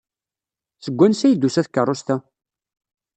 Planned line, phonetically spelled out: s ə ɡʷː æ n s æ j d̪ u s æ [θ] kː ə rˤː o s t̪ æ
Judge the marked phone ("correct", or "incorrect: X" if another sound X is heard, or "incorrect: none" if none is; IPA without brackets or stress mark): correct